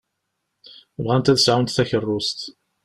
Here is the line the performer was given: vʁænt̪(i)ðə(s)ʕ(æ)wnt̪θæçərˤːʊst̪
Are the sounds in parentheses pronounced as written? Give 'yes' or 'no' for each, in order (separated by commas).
no, yes, no